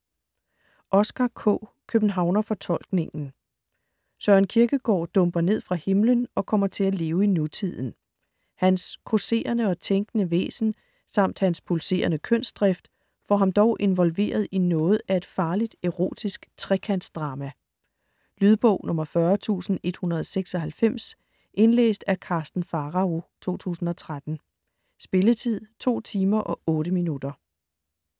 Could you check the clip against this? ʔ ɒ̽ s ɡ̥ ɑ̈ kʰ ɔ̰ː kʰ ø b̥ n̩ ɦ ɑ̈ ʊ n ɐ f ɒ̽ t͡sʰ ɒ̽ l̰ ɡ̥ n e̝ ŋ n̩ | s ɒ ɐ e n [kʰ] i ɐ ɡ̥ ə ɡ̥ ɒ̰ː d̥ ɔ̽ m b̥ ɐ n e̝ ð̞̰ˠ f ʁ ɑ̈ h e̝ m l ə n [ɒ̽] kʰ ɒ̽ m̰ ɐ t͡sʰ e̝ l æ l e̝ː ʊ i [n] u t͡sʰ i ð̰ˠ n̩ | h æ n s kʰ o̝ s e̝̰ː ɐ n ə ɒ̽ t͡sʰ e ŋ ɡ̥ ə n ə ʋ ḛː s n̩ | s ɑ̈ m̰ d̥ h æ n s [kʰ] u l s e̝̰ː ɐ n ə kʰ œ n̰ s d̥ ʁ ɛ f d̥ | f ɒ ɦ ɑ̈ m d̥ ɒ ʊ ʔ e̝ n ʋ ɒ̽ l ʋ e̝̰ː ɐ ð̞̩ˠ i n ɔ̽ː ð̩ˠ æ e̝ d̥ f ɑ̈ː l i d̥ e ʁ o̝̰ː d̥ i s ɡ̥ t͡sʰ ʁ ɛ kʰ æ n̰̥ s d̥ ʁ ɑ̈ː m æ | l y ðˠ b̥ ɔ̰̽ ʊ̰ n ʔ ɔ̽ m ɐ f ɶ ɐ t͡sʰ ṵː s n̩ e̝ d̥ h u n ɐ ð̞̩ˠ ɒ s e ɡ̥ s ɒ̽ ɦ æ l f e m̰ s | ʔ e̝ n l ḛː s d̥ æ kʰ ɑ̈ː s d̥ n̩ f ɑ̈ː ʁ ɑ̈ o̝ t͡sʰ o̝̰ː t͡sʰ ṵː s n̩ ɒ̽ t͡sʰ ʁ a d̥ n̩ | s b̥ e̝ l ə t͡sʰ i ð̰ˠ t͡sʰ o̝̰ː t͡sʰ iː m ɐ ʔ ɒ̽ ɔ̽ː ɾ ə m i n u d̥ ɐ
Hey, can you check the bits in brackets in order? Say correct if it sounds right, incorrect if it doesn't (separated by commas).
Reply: correct, correct, correct, incorrect